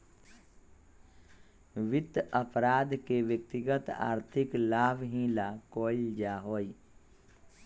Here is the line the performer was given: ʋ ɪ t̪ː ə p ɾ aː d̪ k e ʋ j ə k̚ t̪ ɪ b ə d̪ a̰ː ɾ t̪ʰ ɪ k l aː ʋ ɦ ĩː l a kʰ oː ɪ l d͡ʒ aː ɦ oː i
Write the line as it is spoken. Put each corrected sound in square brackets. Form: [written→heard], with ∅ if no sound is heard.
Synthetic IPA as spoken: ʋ ɪ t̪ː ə p ɾ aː d̪ k e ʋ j ə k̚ t̪ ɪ [b→ɡ] ə [d̪→t̪] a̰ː ɾ t̪ʰ ɪ k l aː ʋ ɦ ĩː l a [kʰ→k] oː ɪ l d͡ʒ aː ɦ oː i